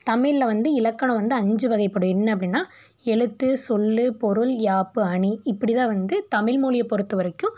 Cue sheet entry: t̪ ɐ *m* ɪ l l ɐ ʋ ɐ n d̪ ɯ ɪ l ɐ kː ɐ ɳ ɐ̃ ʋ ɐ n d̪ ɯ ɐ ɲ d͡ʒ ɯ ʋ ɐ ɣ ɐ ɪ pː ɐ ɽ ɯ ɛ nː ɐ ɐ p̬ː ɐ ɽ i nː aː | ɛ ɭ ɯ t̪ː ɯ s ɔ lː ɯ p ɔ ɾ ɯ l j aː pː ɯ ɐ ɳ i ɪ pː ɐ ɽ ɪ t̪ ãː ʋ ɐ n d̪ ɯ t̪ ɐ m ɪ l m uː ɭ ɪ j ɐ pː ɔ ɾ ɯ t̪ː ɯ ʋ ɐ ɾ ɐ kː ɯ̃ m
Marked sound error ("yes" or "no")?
no